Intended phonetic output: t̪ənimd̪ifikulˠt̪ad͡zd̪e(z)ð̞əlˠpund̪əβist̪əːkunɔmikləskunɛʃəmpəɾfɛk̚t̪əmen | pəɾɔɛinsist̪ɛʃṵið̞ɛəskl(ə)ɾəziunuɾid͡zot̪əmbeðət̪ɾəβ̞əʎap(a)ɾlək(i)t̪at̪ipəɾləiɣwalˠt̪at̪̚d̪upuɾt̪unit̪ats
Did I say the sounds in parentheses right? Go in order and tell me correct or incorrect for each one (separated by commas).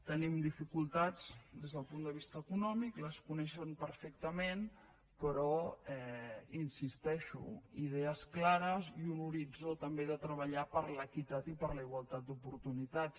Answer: correct, incorrect, incorrect, correct